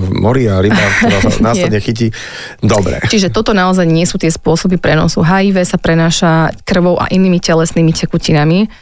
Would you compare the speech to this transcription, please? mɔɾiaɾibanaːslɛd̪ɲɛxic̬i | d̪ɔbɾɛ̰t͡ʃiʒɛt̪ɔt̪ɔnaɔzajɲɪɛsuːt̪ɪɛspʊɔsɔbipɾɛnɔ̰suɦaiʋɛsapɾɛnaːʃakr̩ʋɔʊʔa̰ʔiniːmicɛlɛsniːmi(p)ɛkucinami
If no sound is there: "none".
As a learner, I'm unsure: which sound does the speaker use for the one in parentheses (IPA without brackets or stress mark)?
c